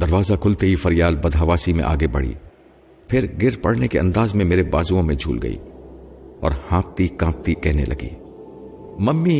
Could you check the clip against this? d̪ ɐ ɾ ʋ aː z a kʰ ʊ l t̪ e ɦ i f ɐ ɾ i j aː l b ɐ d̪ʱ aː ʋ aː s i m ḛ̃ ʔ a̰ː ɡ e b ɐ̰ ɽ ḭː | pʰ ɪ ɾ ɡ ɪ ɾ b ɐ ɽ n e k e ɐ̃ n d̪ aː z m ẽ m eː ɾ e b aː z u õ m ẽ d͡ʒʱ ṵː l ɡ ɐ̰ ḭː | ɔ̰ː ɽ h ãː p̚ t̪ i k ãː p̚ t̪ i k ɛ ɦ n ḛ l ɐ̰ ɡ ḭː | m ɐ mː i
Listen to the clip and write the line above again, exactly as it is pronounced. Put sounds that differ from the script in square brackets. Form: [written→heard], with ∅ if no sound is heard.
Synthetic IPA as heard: d̪ ɐ ɾ ʋ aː z a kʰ ʊ l t̪ e ɦ i f ɐ ɾ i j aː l b ɐ d̪ʱ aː ʋ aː s i m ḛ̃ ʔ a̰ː ɡ e b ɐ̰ ɽ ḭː | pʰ ɪ ɾ ɡ ɪ ɾ [b→p] ɐ ɽ n e k e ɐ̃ n d̪ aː z m ẽ m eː ɾ e b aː z u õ m ẽ d͡ʒʱ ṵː l ɡ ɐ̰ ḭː | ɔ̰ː [ɽ→ɾ] h ãː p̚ t̪ i k ãː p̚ t̪ i k ɛ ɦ n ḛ l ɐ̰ ɡ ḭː | m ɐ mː i